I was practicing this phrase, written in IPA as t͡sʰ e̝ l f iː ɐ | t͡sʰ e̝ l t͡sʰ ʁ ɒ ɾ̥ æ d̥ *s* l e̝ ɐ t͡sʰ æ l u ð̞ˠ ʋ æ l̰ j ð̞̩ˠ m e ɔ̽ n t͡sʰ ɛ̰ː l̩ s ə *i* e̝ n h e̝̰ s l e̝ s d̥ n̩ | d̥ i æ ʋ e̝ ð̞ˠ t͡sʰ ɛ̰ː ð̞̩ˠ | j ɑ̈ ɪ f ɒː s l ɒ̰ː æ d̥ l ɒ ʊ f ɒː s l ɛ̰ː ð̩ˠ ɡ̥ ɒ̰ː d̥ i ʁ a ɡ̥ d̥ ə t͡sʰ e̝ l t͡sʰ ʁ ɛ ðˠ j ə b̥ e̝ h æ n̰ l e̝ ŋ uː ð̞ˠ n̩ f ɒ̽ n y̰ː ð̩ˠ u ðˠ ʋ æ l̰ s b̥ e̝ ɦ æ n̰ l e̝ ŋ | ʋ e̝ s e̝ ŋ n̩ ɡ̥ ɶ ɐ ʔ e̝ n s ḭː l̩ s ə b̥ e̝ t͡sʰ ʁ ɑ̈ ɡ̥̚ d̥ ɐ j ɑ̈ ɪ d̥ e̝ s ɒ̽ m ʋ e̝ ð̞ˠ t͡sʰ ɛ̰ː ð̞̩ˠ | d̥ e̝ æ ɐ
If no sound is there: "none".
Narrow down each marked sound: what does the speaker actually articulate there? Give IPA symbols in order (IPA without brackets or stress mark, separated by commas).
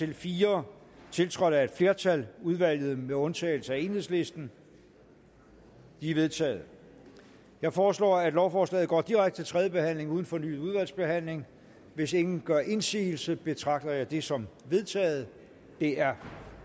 f, æ